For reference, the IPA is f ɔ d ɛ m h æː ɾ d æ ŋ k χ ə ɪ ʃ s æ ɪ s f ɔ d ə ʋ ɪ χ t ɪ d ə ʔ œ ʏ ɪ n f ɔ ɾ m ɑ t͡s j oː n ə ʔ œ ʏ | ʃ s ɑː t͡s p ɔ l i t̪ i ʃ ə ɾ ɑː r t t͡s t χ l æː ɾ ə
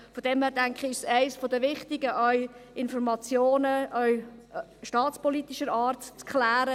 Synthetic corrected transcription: f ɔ d ɛ m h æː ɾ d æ ŋ k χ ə ɪ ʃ s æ ɪ s f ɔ d ə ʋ ɪ χ t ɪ ɡ ə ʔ œ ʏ ɪ n f ɔ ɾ m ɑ t͡s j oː n ə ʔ œ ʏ | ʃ t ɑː t͡s p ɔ l i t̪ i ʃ ə ɾ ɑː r t t͡s k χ l æː ɾ ə